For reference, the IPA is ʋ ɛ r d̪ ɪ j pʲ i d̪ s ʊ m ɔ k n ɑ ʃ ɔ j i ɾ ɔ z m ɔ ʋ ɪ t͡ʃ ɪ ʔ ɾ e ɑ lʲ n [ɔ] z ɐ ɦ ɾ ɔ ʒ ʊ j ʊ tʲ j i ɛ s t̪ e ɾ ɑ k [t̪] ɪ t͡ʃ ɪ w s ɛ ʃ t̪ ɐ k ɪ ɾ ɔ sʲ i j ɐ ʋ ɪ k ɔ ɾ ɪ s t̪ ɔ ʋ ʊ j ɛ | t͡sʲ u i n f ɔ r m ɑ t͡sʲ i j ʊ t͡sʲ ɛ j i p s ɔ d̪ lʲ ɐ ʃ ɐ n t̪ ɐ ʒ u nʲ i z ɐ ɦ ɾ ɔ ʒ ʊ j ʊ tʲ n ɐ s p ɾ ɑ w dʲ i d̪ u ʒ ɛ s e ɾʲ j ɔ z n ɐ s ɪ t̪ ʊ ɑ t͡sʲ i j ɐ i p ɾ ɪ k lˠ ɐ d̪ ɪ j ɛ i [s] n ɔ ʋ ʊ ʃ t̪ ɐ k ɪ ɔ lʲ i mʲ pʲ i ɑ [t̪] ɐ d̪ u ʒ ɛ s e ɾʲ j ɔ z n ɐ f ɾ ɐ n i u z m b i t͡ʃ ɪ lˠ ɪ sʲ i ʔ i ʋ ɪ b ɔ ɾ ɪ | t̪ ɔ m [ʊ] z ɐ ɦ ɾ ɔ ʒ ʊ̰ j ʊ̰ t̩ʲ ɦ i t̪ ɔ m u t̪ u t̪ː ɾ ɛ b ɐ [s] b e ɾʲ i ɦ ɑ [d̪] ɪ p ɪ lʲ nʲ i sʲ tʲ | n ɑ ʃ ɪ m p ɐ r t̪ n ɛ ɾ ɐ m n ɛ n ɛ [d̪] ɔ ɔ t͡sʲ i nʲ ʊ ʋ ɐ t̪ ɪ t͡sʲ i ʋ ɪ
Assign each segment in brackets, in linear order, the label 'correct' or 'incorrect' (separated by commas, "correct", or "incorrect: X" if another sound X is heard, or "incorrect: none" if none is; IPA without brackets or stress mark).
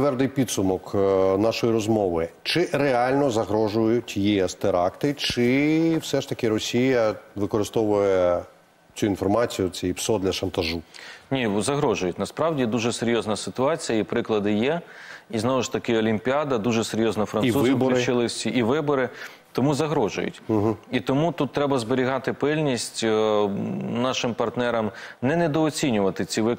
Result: correct, correct, incorrect: z, incorrect: d̪, incorrect: u, incorrect: z, incorrect: t̪, correct